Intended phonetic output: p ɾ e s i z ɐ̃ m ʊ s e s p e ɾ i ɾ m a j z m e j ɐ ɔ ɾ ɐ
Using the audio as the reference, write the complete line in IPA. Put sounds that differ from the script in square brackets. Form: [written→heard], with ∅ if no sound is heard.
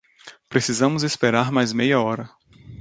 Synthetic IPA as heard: p ɾ e s i z ɐ̃ m ʊ [s→z] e s p e ɾ [i→a] ɾ m a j z m e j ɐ ɔ ɾ ɐ

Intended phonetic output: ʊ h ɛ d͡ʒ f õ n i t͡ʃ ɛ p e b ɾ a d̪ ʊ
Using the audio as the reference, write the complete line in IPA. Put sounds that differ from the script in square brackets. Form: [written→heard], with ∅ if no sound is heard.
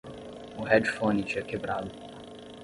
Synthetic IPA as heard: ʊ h ɛ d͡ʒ f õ n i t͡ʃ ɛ [p→k] e b ɾ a d̪ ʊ

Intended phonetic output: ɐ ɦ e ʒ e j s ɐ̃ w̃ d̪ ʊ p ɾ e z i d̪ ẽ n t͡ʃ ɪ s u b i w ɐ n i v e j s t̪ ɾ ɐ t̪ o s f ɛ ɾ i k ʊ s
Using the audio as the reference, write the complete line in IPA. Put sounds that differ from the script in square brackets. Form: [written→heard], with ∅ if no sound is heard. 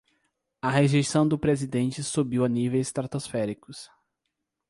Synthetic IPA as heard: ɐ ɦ e ʒ e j s ɐ̃ w̃ d̪ ʊ p ɾ e z i d̪ ẽ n t͡ʃ ɪ s u b i w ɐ n i v e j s t̪ ɾ [ɐ→a] t̪ o s f ɛ ɾ i k ʊ s

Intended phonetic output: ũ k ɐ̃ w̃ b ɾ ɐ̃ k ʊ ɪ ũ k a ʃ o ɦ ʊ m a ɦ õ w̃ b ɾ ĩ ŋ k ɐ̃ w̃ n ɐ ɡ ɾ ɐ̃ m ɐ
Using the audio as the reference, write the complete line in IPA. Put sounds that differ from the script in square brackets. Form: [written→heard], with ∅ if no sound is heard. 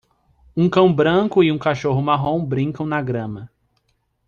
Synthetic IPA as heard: ũ k ɐ̃ w̃ b ɾ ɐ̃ k ʊ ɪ ũ k a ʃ o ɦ ʊ m a ɦ õ w̃ b ɾ ĩ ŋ k ɐ̃ w̃ n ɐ ɡ ɾ ɐ̃ m ɐ

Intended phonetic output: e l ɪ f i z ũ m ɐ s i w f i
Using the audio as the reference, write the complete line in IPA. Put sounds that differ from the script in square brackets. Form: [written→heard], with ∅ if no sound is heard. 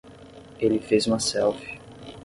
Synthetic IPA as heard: e l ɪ f [i→e] z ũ m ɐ s [i→ɛ] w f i

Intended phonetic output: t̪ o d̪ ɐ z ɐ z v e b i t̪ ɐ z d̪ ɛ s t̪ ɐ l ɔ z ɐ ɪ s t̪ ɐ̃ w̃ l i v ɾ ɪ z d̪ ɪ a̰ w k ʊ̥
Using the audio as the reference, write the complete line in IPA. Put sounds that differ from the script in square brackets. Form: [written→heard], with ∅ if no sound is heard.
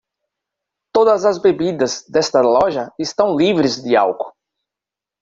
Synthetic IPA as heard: t̪ o d̪ ɐ z ɐ z [v→b] e b i [t̪→d̪] ɐ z d̪ ɛ s t̪ ɐ l ɔ [z→ʒ] ɐ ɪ s t̪ ɐ̃ w̃ l i v ɾ ɪ z d̪ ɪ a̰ w k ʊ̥

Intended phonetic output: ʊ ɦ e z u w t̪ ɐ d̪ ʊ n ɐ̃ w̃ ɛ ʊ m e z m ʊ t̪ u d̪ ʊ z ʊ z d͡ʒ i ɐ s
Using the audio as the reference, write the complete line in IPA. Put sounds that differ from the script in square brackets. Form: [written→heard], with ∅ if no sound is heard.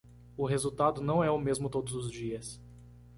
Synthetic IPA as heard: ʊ ɦ e z u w t̪ [ɐ→a] d̪ ʊ n ɐ̃ w̃ ɛ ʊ m e z m ʊ t̪ [u→o] d̪ ʊ z ʊ z d͡ʒ i ɐ s

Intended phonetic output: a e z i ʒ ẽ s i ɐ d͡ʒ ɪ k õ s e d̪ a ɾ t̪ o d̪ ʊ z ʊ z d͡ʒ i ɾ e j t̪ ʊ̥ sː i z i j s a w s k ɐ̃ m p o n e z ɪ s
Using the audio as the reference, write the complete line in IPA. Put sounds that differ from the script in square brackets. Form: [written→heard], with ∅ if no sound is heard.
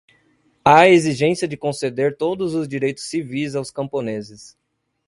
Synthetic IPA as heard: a e z i ʒ ẽ s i ɐ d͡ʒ ɪ k õ s e d̪ [a→e] ɾ t̪ o d̪ ʊ z ʊ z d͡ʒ i ɾ e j t̪ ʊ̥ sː i [z→v] i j [s→z] a w s k ɐ̃ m p o n e z ɪ s

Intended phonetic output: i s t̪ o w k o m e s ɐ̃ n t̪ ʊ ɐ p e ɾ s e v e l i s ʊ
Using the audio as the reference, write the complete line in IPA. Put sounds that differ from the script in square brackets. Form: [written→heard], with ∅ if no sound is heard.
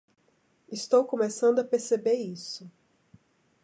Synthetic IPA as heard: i s t̪ o w k o m e s ɐ̃ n [t̪→d̪] ʊ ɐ p e ɾ s e [v→b] e [l→ɾ] i s ʊ

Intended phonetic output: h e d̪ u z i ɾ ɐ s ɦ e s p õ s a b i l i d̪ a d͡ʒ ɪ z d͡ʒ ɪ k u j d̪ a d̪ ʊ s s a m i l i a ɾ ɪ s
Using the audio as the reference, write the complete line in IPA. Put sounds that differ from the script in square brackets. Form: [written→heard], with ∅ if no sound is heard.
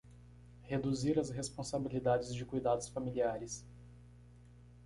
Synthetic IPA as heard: h e d̪ u z i ɾ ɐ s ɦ e s p õ s a b i l i d̪ a d͡ʒ ɪ z d͡ʒ ɪ k u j d̪ a d̪ ʊ s [s→f] a m i l i a ɾ ɪ s

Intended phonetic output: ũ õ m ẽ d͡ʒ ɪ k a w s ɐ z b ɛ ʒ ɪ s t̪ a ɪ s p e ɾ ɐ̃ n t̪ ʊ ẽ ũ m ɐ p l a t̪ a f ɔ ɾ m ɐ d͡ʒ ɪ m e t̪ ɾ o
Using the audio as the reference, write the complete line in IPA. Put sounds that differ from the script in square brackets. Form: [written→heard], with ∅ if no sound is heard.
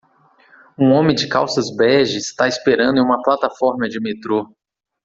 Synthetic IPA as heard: ũ õ m ẽ d͡ʒ ɪ k a w s ɐ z b ɛ ʒ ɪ s t̪ a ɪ s p e ɾ ɐ̃ n [t̪→d̪] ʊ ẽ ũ m ɐ p l a t̪ a f ɔ ɾ m ɐ d͡ʒ ɪ m e t̪ ɾ o

